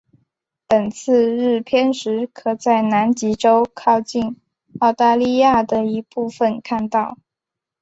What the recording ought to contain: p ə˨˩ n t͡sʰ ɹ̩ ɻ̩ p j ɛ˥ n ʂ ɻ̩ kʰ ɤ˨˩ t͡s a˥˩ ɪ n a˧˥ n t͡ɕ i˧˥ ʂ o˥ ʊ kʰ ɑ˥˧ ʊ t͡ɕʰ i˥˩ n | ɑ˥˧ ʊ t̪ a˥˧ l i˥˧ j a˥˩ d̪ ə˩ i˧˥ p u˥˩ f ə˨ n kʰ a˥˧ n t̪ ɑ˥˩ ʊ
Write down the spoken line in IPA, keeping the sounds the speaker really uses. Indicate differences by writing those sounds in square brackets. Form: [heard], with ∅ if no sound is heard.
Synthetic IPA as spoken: p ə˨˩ n t͡sʰ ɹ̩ ɻ̩ [pʰ] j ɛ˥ n ʂ ɻ̩ kʰ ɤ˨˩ t͡s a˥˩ ɪ n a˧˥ n t͡ɕ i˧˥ [ʈ͡ʂ] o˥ ʊ kʰ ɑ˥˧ ʊ [t͡ɕ] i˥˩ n | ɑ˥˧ ʊ t̪ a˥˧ l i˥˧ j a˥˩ d̪ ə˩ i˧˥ p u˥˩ f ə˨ n kʰ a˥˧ n t̪ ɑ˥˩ ʊ